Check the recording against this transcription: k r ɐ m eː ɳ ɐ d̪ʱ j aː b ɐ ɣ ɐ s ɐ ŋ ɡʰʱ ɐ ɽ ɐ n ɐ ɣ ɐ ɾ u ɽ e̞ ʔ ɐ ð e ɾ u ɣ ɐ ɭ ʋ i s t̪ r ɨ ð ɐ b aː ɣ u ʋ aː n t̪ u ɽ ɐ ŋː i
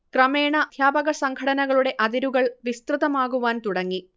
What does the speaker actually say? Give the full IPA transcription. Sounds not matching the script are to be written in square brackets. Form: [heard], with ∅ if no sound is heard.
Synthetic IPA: k r ɐ m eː ɳ ɐ d̪ʱ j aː b ɐ ɣ ɐ s ɐ ŋ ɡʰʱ ɐ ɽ ɐ n ɐ ɣ ɐ [ɭ] u ɽ e̞ ʔ ɐ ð [i] ɾ u ɣ ɐ ɭ ʋ i s t̪ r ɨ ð ɐ [m] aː ɣ u ʋ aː n t̪ u ɽ ɐ ŋː i

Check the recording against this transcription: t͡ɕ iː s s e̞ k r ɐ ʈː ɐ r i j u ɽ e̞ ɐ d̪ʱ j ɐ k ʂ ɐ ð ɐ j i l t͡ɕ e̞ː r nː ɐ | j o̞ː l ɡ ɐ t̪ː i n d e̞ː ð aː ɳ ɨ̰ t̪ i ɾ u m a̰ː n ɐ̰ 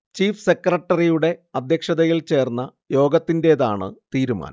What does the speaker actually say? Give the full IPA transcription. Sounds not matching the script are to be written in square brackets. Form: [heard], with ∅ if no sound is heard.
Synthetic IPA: t͡ɕ iː [f] s e̞ k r ɐ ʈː ɐ r i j u ɽ e̞ ɐ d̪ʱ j ɐ k ʂ ɐ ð ɐ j i l t͡ɕ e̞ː r nː ɐ | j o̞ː [∅] ɡ ɐ t̪ː i n d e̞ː ð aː ɳ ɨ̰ t̪ [iː] ɾ u m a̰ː n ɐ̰

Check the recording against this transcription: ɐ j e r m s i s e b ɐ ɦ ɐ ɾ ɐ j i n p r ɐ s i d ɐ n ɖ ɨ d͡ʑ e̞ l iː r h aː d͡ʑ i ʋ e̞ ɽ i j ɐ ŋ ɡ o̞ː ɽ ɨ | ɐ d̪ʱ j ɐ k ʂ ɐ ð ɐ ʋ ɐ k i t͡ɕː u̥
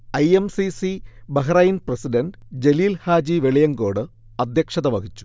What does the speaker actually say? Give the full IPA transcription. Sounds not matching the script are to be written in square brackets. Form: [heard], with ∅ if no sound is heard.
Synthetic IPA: ɐ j e [∅] m s i s [i] b ɐ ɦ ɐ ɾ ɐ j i n p r ɐ s i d ɐ n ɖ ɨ d͡ʑ e̞ l iː [l] h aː d͡ʑ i ʋ e̞ [ɭ] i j ɐ ŋ ɡ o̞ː ɽ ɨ | ɐ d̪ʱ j ɐ k ʂ ɐ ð ɐ ʋ ɐ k i t͡ɕː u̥

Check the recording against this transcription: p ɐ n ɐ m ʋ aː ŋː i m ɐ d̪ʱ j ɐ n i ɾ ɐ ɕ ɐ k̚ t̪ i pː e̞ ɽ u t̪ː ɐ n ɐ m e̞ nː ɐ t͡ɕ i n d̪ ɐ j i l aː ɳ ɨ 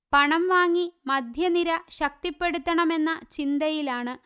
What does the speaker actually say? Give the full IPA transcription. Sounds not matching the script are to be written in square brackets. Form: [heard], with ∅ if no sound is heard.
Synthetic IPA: p ɐ [ɳ] ɐ m ʋ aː ŋː i m ɐ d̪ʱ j ɐ n i ɾ ɐ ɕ ɐ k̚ t̪ i pː e̞ ɽ u t̪ː ɐ [ɳ] ɐ m e̞ nː ɐ t͡ɕ i n d̪ ɐ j i l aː ɳ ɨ

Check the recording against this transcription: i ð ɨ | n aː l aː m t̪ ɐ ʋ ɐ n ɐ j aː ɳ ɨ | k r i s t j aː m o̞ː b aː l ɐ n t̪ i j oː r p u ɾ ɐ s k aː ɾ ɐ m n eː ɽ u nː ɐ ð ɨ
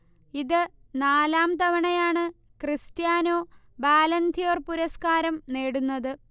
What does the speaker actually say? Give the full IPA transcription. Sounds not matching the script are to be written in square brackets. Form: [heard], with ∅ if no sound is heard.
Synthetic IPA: i ð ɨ | n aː l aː m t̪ ɐ ʋ ɐ [ɳ] ɐ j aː ɳ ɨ | k r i s t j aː [n] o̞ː b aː l ɐ n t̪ i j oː r p u ɾ ɐ s k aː ɾ ɐ m n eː ɽ u nː ɐ ð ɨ

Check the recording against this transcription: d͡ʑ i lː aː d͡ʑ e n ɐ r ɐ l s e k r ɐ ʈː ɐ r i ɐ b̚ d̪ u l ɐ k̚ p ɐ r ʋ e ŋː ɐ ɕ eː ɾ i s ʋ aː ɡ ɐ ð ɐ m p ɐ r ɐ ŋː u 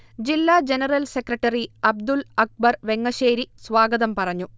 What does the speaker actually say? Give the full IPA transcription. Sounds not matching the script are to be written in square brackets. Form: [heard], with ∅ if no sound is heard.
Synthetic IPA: d͡ʑ i lː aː d͡ʑ e n ɐ r ɐ l s e k r ɐ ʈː ɐ r i ɐ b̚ d̪ u l ɐ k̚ [b] ɐ r ʋ e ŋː ɐ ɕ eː ɾ i s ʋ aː ɡ ɐ ð ɐ m p ɐ r ɐ [ɲː] u

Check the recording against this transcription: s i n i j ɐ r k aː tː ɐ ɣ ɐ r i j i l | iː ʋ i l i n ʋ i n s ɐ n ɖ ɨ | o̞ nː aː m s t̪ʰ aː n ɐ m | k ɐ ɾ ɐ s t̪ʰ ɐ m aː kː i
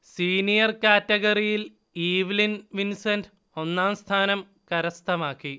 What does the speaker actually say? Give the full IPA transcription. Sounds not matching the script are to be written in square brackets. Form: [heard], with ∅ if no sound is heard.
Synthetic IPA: s [iː] n i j ɐ r k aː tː ɐ ɣ ɐ r i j i l | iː ʋ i l i n ʋ i n s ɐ n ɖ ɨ | o̞ nː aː m s t̪ʰ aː n ɐ m | k ɐ ɾ ɐ s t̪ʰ ɐ m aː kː i

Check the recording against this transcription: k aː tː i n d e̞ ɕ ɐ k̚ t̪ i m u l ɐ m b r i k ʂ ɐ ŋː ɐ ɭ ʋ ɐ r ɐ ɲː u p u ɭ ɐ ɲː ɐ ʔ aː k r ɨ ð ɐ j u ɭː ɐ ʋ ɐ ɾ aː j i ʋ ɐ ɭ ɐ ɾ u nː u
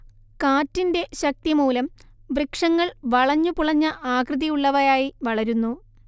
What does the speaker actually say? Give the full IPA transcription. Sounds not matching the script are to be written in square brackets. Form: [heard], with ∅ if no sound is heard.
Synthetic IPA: k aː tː i n d e̞ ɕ ɐ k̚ t̪ i m [uː] l ɐ m b r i k ʂ ɐ ŋː ɐ ɭ ʋ ɐ [ɭ] ɐ ɲː u p u ɭ ɐ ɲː ɐ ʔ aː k r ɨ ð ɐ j u ɭː ɐ ʋ ɐ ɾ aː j i ʋ ɐ ɭ ɐ ɾ u nː u

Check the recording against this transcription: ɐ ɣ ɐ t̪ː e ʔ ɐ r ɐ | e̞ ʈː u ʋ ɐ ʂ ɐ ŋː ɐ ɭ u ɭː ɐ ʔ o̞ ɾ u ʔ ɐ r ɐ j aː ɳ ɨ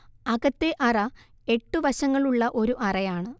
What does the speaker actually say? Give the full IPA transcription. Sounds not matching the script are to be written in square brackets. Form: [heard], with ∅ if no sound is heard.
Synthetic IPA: ɐ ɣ ɐ t̪ː e ʔ ɐ r ɐ | e̞ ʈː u ʋ ɐ [ɕ] ɐ ŋː ɐ ɭ u ɭː ɐ ʔ o̞ ɾ u ʔ ɐ r ɐ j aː ɳ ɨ

